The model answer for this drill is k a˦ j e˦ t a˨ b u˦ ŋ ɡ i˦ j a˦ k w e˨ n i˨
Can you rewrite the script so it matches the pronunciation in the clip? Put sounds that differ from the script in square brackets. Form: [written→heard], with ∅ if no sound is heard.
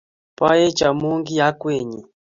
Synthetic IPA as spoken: [k→p] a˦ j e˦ [t→t͡ʃ] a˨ [b→m] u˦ ŋ ɡ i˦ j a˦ k w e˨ [n→ɲ] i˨